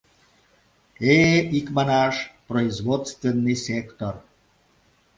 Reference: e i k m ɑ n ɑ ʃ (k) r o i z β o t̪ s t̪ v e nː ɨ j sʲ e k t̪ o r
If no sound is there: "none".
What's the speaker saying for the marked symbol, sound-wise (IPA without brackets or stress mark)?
p